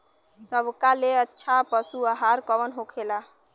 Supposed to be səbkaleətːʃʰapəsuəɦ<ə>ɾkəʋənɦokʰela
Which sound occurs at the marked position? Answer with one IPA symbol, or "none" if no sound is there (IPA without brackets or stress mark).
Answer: a